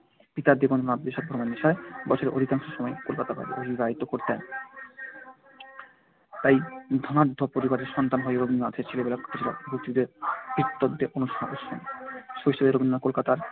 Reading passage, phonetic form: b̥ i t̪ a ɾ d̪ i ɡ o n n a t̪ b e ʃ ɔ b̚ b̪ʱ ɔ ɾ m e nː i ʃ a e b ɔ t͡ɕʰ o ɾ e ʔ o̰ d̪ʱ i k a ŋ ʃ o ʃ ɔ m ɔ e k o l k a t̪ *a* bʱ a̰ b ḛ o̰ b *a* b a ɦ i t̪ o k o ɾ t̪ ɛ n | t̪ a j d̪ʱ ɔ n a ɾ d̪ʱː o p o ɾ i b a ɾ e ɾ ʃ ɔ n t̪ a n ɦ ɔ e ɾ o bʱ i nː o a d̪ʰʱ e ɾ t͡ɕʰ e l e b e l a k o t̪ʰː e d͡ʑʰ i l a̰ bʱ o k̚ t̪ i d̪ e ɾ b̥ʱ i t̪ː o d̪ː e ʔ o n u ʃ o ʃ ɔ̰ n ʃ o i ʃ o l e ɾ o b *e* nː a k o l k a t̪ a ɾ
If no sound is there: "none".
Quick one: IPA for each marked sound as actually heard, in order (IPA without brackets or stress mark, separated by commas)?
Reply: a, i, i